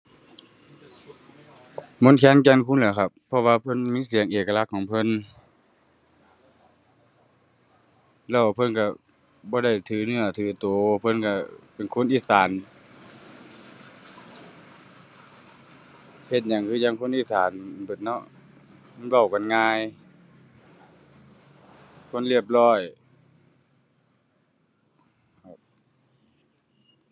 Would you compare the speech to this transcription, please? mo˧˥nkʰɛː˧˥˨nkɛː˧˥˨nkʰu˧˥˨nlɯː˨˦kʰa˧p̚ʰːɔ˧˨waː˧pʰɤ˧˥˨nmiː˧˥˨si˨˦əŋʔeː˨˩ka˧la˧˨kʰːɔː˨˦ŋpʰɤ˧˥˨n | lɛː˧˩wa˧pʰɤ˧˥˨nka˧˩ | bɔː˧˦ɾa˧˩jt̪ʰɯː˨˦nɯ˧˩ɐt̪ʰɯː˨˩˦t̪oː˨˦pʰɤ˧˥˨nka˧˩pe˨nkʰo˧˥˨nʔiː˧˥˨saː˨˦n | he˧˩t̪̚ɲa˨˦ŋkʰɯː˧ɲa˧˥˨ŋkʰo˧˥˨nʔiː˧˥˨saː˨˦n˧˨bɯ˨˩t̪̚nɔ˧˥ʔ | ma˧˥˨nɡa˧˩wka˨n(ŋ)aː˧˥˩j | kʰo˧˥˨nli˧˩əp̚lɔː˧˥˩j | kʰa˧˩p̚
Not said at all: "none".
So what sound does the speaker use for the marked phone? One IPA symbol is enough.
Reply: ŋ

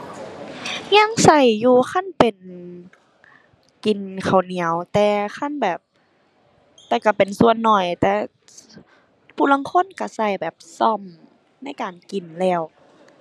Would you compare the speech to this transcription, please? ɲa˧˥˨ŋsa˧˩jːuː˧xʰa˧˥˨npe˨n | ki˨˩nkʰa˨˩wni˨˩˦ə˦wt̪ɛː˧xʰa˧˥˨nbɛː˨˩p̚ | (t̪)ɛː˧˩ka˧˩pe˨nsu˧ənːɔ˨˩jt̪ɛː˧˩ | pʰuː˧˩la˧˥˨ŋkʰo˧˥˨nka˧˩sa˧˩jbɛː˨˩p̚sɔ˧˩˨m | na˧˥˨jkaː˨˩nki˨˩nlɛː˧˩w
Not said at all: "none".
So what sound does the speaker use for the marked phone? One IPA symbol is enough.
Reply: t̪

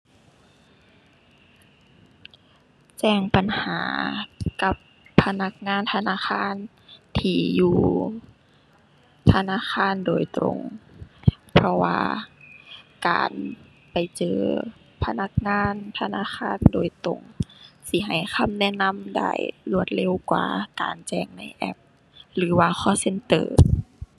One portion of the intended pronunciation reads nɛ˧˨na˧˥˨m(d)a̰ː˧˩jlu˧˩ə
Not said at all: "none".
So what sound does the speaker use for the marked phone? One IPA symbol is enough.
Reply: d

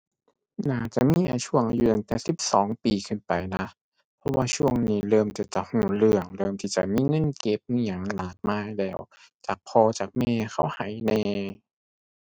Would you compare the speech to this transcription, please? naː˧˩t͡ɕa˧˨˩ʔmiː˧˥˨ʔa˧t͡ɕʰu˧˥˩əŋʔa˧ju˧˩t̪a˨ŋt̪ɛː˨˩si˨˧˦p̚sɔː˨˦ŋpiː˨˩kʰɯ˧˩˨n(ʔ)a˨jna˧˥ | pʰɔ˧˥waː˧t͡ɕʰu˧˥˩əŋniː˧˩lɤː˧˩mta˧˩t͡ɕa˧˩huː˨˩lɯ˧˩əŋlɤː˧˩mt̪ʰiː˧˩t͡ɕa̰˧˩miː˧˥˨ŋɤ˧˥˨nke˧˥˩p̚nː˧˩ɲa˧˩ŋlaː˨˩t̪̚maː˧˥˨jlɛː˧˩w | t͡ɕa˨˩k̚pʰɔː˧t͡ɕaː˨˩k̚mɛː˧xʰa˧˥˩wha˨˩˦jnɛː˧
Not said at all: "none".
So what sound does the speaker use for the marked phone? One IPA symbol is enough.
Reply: p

